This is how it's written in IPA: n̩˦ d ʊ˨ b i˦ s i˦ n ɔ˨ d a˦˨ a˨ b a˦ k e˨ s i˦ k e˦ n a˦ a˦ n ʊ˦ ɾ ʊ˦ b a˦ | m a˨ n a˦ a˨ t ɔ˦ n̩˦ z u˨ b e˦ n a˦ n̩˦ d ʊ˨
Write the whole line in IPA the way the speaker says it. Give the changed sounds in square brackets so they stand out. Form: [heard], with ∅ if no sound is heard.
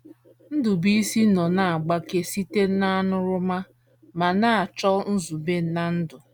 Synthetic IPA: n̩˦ d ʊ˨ b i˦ s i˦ n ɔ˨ [n] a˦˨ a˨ [ɡ͡b] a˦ k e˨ s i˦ [t] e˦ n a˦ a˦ n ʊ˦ ɾ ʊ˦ [m] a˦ | m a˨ n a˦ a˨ [t͡ʃ] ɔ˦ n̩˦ z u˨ b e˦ n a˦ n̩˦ d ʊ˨